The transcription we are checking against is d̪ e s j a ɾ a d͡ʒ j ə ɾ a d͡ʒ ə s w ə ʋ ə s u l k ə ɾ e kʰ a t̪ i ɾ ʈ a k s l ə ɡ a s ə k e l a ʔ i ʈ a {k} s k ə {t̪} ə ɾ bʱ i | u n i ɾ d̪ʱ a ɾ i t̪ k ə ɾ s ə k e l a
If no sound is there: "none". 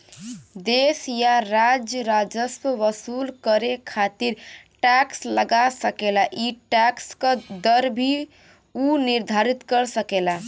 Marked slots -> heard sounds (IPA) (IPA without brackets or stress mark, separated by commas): k, d̪